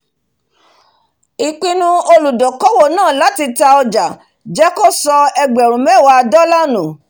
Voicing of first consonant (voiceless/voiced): voiceless